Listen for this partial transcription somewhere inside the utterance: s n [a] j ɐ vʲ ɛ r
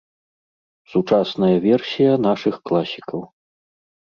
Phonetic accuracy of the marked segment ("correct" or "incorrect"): incorrect